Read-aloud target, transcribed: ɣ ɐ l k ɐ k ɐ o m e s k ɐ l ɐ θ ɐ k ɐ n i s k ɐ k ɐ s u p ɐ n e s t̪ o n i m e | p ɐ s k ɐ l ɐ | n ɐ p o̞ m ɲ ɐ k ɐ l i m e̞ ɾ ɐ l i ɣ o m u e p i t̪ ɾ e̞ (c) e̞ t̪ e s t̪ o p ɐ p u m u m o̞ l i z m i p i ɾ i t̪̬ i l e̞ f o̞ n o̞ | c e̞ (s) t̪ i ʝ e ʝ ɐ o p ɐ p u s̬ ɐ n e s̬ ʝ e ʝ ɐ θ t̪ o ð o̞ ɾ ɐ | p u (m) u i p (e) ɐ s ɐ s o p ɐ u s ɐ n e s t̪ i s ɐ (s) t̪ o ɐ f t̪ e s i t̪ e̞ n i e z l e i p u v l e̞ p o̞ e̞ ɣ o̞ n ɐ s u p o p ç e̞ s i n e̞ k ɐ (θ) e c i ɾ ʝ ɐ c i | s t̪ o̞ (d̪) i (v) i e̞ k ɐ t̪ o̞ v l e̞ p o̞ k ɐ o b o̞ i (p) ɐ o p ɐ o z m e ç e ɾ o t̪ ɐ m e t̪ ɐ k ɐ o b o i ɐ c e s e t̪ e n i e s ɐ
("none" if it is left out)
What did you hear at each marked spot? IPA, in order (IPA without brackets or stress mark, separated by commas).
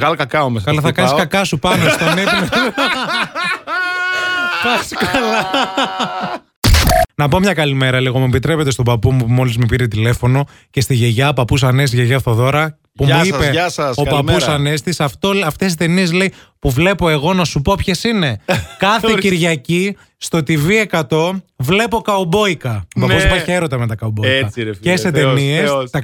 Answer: p, s, m, e, f, θ, t̪, v, k